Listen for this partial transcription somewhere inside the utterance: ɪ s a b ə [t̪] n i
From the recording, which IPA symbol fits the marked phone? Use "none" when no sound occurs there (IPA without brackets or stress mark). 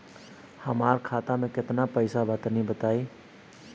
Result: t̪